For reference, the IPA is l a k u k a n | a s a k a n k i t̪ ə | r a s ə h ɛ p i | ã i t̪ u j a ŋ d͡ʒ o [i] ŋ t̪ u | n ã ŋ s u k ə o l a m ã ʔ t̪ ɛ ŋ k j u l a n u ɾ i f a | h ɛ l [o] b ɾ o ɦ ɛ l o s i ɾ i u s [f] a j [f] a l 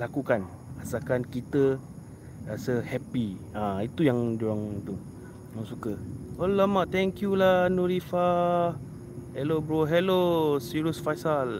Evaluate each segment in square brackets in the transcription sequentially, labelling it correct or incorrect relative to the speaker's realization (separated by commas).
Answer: incorrect, correct, correct, incorrect